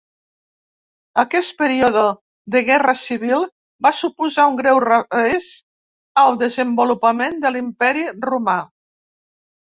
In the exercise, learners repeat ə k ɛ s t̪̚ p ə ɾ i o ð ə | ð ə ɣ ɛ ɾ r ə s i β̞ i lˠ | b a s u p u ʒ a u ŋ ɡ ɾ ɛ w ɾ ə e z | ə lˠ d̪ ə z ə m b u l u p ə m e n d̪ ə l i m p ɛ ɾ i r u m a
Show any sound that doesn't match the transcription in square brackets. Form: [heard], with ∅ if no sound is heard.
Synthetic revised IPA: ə k ɛ s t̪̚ p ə ɾ i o ð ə | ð ə ɣ ɛ [∅] r ə s i β̞ i lˠ | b a s u p u [z] a u ŋ ɡ ɾ ɛ w [r] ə e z | ə lˠ d̪ ə z ə m b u l u p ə m e n d̪ ə l i m p ɛ ɾ i r u m a